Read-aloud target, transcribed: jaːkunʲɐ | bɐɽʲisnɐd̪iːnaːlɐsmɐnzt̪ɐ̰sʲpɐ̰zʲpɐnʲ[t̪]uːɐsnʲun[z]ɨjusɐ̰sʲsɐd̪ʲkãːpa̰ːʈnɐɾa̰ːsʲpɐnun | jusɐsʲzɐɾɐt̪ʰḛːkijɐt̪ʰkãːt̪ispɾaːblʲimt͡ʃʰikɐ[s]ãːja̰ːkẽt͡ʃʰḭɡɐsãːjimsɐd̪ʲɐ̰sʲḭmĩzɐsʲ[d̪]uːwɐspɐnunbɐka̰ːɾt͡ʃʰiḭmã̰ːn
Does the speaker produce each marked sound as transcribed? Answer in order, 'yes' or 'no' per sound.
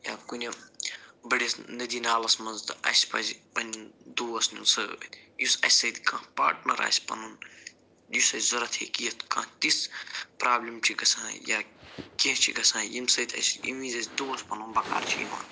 no, no, yes, yes

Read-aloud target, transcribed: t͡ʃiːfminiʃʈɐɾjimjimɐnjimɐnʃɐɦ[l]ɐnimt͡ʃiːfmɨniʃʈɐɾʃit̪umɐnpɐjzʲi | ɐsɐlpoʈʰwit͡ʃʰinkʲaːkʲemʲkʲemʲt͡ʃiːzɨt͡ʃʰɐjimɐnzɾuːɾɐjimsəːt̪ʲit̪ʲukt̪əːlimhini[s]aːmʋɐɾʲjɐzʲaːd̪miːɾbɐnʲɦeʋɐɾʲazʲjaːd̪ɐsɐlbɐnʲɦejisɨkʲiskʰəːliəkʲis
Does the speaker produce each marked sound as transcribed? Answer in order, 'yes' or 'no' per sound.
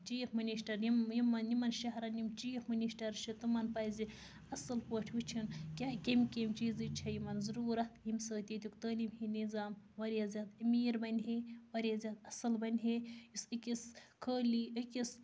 no, no

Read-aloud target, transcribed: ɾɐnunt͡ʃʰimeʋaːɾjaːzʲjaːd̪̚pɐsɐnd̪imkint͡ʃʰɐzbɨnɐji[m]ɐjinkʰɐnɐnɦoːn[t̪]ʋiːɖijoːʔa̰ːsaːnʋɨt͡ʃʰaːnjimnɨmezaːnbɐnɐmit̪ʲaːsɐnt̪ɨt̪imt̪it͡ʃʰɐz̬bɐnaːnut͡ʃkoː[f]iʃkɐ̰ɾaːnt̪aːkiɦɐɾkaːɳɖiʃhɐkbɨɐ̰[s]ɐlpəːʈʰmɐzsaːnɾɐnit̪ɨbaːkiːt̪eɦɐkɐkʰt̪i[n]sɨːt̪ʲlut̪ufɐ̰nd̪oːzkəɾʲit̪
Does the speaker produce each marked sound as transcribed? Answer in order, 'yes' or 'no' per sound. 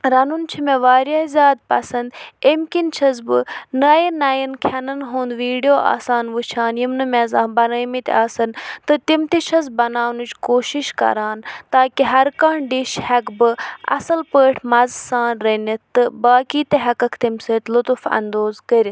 no, no, no, yes, no

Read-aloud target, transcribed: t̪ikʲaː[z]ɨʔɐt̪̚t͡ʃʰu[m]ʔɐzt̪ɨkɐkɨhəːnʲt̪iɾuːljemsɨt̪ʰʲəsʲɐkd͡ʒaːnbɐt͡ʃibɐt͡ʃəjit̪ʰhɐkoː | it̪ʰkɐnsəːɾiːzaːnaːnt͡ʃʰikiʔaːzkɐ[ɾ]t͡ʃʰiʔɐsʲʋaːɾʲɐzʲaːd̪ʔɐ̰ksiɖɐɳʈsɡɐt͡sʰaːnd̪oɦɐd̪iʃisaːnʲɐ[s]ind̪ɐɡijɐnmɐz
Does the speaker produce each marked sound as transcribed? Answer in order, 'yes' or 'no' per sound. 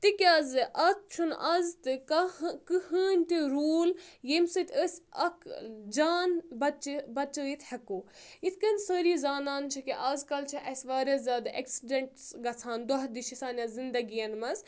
yes, no, no, no

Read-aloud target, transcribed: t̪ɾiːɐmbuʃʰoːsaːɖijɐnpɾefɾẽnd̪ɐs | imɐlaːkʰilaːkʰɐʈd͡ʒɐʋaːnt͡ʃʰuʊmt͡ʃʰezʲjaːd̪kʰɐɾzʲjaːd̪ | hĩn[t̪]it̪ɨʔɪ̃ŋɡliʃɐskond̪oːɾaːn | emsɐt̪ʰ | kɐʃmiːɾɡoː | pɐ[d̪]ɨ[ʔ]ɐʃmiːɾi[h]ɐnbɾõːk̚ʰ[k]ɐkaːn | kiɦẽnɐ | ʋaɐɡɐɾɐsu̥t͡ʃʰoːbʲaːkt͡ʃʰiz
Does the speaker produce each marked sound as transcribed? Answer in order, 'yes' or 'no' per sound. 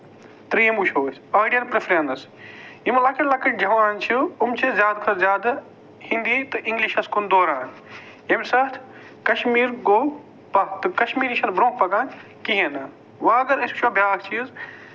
no, no, no, no, no

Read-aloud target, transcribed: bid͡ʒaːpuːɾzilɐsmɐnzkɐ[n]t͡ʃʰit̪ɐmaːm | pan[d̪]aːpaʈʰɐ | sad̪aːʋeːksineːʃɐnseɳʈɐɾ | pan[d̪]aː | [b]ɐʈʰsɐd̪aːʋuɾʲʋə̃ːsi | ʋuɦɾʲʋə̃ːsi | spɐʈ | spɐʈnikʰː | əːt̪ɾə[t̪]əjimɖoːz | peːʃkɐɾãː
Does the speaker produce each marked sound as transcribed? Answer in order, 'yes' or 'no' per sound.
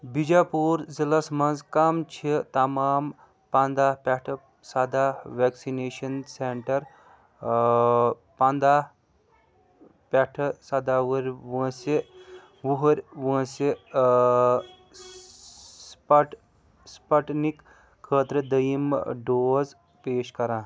no, yes, yes, no, no

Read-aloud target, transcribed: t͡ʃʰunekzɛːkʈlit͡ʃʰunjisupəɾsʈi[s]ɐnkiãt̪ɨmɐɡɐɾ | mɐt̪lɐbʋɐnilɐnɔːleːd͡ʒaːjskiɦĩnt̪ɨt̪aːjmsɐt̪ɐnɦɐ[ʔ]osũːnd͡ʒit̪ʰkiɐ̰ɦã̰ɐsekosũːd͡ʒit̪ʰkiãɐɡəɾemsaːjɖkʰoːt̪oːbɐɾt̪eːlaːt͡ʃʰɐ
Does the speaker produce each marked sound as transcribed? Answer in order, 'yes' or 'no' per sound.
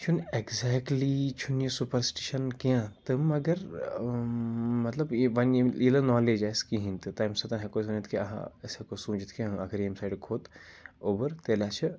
no, no

